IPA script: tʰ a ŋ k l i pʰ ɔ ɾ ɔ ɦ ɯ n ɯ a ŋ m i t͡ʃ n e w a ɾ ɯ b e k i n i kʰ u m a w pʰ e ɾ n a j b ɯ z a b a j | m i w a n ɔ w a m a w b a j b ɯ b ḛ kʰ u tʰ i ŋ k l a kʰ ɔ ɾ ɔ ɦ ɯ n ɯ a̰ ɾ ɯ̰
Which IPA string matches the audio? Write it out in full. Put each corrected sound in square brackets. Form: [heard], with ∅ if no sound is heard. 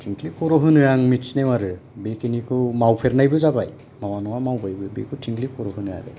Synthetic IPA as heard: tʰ [i] ŋ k l i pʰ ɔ ɾ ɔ ɦ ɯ n ɯ a ŋ m i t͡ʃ n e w a ɾ ɯ b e k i n i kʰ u m a w pʰ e ɾ n a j b ɯ z a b a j | m [a] w a n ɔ w a m a w b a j b ɯ b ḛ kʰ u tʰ i ŋ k l [i] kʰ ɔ ɾ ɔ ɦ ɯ n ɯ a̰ ɾ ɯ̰